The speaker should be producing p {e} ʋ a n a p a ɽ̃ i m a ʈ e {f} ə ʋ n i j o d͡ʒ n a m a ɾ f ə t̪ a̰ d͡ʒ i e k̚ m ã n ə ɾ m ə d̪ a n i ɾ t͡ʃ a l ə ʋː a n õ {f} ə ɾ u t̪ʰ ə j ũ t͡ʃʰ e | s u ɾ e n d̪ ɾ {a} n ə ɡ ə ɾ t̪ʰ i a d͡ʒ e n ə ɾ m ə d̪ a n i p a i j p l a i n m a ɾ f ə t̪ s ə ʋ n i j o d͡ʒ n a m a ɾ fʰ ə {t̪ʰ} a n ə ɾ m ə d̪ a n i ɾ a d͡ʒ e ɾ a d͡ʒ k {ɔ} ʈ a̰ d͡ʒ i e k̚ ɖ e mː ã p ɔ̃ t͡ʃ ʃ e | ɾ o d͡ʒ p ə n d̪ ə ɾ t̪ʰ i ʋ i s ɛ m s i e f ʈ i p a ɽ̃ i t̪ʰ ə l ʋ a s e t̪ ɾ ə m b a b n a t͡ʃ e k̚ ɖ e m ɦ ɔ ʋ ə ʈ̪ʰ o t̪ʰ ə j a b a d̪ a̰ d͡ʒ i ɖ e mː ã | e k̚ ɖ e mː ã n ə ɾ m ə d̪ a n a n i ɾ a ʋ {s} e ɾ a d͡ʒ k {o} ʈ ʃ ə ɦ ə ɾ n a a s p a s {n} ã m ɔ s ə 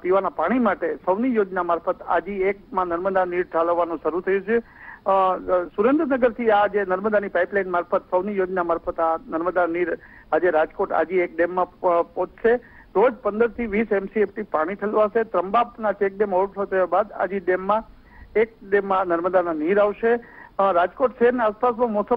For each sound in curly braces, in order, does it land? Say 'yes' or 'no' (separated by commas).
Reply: no, no, no, no, no, no, no, yes, no